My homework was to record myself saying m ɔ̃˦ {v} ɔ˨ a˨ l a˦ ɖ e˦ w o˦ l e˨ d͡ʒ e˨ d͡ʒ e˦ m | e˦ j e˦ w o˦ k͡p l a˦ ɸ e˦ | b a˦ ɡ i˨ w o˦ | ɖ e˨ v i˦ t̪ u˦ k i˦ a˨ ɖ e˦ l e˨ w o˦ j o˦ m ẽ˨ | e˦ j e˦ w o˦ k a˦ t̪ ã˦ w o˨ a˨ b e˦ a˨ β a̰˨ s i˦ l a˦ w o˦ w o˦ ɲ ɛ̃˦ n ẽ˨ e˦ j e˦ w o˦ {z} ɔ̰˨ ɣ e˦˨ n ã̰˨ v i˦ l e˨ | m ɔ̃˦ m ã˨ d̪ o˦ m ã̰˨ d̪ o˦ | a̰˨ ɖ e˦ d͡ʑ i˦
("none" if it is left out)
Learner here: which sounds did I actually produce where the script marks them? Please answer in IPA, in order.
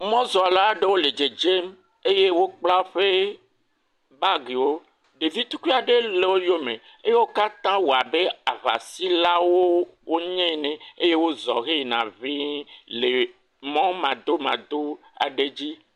z, z

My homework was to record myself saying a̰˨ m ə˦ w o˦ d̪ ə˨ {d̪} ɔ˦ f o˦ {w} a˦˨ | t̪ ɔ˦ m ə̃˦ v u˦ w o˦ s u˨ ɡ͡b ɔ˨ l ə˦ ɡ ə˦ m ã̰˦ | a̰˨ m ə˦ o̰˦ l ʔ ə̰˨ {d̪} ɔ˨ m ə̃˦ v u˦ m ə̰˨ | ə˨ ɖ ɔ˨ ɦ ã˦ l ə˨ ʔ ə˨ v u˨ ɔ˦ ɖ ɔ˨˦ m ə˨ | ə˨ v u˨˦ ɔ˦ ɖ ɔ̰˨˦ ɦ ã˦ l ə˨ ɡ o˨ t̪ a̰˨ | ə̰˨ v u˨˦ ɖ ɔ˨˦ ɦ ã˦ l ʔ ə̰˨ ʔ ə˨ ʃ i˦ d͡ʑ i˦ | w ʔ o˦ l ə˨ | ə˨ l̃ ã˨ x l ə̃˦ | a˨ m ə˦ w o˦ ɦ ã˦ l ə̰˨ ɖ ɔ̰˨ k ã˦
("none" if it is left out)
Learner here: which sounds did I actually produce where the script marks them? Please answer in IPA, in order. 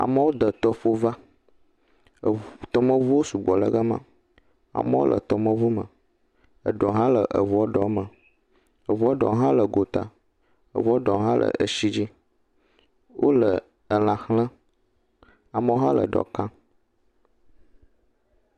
t̪, v, t̪

